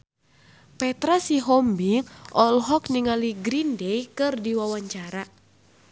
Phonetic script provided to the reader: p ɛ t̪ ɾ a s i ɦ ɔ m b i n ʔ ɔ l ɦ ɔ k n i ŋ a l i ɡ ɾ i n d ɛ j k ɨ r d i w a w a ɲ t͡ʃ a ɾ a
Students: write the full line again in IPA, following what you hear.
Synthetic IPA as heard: p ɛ t̪ ɾ a s i ɦ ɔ m b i ŋ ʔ ɔ l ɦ ɔ k n i ŋ a l i ɡ ɾ i n d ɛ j k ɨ r d i w a w a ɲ t͡ʃ a ɾ a